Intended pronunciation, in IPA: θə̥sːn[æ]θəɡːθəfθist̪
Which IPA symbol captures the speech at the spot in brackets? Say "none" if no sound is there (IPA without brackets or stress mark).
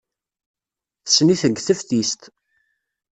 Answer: i